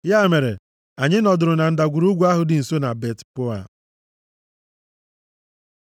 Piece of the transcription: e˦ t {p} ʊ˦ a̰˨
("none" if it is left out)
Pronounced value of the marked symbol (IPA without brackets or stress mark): p